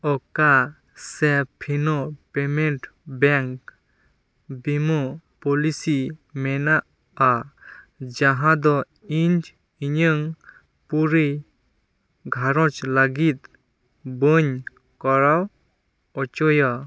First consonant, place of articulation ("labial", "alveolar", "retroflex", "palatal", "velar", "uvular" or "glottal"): velar